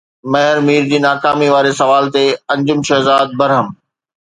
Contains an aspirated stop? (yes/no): no